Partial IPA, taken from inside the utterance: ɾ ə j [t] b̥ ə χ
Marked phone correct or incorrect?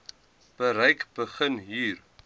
incorrect: k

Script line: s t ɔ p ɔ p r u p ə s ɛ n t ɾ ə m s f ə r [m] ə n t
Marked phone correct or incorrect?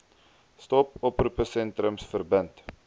incorrect: b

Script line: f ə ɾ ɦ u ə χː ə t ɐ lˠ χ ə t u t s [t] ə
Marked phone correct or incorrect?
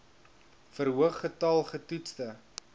correct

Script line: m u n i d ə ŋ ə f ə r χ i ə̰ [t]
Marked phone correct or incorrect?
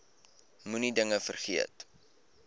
correct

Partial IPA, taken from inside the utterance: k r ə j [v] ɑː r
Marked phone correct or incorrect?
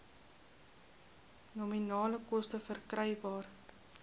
incorrect: b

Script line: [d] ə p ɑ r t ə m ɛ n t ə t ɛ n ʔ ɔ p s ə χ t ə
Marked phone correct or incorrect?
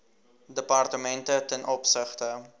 correct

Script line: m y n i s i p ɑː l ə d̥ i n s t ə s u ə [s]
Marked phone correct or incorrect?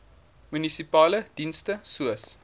correct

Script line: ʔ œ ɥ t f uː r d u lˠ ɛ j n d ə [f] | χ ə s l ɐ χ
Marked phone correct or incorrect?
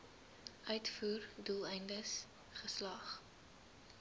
incorrect: s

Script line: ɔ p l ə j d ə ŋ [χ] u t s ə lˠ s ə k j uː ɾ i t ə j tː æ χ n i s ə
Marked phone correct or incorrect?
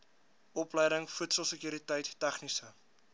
incorrect: f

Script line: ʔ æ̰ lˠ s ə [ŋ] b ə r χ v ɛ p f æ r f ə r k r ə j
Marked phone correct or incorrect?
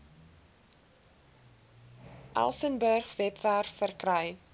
incorrect: n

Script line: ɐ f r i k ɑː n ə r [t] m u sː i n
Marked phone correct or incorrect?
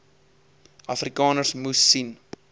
incorrect: s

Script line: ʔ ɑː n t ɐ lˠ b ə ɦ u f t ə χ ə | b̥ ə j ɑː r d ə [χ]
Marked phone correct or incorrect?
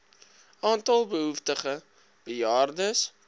incorrect: s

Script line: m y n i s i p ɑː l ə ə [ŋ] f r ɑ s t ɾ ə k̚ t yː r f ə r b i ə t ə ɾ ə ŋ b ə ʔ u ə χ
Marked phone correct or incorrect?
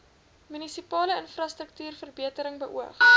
incorrect: n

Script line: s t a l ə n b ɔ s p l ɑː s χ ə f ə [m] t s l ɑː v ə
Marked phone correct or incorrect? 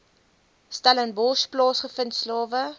incorrect: n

